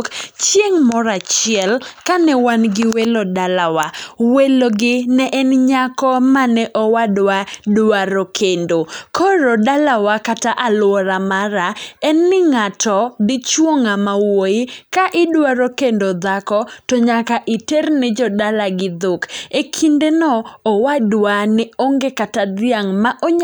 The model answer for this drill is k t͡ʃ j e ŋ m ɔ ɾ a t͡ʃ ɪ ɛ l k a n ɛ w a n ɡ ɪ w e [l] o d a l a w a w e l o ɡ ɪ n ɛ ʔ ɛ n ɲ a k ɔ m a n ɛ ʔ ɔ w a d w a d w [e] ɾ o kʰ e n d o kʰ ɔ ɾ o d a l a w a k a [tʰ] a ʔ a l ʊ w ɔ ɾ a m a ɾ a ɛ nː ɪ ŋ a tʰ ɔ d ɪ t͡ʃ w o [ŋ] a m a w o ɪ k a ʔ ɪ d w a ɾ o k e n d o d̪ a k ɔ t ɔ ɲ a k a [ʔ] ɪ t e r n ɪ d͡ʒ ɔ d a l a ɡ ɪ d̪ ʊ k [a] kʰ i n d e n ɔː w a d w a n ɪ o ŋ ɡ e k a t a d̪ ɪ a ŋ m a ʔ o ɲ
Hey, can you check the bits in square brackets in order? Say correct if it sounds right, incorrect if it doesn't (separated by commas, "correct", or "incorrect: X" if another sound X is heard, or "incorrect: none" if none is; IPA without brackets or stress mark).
correct, incorrect: a, incorrect: t, correct, correct, incorrect: e